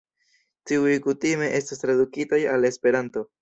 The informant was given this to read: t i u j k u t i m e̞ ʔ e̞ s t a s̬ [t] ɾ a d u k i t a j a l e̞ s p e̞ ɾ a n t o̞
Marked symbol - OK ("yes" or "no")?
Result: yes